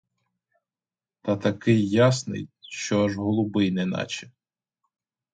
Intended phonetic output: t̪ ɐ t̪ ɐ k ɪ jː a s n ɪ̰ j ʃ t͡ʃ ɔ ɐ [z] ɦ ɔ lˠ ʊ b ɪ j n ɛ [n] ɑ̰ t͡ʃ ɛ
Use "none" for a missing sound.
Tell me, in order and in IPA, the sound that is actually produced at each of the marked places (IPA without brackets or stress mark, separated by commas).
ʒ, n